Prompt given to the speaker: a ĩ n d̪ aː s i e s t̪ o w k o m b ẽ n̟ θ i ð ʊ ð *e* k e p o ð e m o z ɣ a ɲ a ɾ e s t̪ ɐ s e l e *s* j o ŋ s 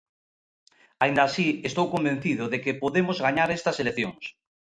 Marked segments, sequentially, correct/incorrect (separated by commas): correct, incorrect